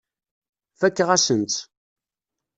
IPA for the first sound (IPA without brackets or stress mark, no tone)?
f